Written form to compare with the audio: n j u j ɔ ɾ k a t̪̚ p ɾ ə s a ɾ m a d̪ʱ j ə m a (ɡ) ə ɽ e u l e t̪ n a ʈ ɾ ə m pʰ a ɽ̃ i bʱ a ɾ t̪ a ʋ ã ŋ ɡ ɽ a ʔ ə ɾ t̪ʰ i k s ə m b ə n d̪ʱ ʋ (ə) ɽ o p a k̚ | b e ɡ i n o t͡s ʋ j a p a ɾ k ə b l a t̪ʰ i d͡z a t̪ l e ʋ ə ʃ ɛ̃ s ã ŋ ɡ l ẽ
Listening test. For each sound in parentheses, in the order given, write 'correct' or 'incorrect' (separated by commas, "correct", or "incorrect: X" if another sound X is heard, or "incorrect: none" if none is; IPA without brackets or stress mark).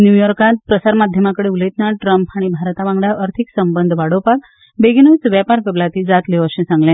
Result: incorrect: k, incorrect: a